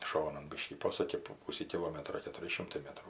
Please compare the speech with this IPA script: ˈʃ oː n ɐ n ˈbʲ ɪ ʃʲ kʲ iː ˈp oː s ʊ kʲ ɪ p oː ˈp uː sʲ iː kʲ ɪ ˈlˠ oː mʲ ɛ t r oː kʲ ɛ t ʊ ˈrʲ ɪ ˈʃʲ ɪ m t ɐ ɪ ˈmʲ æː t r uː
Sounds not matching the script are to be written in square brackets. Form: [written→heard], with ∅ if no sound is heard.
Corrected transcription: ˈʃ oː n ɐ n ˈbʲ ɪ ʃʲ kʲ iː ˈp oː s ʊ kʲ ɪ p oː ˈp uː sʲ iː kʲ ɪ ˈlˠ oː mʲ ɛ t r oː kʲ ɛ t ʊ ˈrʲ ɪ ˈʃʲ ɪ m t ɐ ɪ ˈmʲ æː t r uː